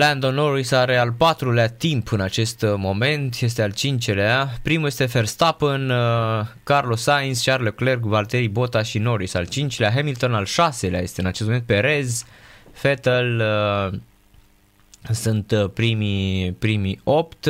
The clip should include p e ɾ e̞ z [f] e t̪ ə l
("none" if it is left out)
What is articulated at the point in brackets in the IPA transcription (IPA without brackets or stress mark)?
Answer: f